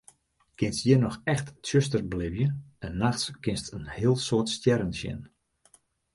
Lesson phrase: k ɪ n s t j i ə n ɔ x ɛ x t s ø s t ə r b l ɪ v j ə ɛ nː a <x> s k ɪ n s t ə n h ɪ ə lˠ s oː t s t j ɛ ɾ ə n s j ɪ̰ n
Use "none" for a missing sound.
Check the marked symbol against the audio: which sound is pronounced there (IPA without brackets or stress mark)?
x